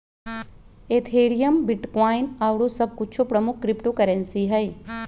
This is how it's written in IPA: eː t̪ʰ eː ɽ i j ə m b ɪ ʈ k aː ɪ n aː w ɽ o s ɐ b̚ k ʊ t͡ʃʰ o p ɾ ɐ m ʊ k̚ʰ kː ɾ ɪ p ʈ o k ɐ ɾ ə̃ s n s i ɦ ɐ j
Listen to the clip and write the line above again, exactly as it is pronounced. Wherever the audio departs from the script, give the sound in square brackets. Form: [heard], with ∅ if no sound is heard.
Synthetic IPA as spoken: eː t̪ʰ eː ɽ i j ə m b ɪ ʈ k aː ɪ n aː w ɽ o s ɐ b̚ k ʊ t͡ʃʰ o p ɾ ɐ m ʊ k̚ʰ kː ɾ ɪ p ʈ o k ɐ ɾ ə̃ [∅] n s i ɦ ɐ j